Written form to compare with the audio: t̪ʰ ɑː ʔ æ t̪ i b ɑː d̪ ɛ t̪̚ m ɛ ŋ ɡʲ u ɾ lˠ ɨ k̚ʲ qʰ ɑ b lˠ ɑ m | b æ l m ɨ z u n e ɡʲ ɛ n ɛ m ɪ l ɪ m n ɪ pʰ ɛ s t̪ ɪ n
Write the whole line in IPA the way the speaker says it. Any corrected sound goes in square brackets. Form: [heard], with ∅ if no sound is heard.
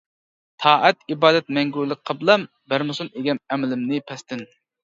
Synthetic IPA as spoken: t̪ʰ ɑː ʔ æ t̪ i b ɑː d̪ ɛ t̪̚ m ɛ ŋ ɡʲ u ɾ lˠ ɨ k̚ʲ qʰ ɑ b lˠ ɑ m | b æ [ɾ] m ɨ [s] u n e ɡʲ ɛ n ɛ m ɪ l ɪ m n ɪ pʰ ɛ s t̪ ɪ n